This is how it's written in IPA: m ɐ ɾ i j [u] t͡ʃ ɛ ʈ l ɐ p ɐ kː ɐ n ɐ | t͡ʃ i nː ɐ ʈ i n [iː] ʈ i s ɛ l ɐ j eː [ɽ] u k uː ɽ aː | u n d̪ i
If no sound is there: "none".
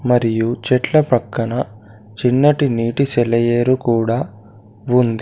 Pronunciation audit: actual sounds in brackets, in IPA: u, iː, ɾ

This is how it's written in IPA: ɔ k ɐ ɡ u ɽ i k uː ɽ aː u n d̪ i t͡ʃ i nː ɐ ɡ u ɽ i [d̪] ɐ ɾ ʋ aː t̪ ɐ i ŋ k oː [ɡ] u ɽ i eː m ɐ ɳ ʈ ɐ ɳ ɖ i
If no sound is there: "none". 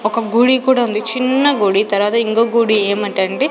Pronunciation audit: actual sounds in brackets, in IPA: t̪, ɡ

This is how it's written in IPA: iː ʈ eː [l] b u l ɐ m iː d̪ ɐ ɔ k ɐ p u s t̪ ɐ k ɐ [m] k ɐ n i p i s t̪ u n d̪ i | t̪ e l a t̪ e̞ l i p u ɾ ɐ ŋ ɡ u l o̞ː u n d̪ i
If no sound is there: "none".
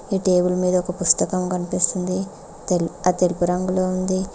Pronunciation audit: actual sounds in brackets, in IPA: none, m

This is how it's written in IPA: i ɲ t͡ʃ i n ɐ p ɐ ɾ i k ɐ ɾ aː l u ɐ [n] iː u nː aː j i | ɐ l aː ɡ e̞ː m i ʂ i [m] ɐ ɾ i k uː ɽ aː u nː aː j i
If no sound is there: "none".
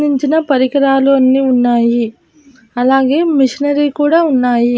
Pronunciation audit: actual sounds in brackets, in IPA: nː, n

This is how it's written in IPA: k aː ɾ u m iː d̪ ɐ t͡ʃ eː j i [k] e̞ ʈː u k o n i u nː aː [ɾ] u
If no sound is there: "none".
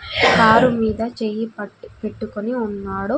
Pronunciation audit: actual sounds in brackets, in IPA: p, ɽ

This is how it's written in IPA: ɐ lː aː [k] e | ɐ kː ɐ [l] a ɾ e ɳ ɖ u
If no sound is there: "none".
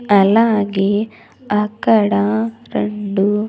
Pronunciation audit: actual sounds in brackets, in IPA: ɡ, ɽ

